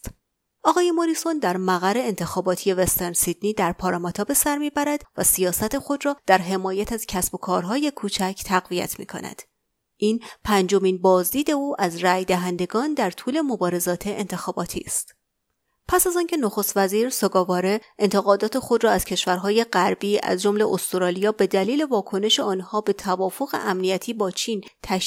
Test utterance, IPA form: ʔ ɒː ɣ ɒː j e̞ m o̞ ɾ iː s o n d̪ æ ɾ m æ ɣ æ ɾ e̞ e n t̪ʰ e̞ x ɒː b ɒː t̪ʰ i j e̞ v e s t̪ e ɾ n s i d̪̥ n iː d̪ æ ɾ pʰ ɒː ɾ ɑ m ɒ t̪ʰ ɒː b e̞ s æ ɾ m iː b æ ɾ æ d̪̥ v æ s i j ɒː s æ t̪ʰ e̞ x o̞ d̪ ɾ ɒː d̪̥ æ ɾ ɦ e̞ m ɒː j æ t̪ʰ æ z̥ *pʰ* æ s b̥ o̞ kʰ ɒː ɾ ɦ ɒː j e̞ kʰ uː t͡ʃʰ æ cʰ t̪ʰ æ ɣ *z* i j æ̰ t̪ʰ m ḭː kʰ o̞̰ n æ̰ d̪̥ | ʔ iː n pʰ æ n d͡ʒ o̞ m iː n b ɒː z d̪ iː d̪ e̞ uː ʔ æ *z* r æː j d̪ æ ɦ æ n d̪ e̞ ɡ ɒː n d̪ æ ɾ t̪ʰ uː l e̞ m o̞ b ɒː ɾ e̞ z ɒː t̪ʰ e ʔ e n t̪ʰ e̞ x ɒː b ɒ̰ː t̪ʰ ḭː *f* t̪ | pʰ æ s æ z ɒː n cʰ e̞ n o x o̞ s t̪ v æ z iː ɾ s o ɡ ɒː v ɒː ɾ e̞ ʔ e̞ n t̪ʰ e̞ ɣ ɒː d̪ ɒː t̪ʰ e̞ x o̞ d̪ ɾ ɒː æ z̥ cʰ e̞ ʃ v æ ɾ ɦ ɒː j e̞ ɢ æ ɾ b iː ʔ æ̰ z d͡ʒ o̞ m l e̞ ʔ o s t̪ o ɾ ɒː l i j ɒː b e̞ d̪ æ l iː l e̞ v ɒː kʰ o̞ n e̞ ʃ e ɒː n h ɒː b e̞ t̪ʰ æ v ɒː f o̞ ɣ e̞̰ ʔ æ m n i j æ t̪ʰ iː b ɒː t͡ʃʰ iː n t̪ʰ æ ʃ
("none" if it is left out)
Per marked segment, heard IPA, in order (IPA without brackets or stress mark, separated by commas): cʰ, v, z, s